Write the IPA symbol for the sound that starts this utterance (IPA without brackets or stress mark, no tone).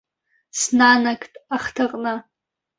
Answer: s